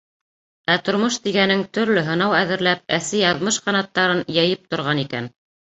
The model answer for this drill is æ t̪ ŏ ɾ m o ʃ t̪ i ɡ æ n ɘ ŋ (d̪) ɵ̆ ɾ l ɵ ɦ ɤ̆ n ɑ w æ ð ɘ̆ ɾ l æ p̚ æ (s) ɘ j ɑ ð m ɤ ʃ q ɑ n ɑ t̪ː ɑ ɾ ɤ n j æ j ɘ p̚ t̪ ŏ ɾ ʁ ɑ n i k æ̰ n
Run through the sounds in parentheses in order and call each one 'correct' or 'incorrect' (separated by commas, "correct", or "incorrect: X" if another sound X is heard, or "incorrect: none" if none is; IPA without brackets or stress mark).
incorrect: t̪, correct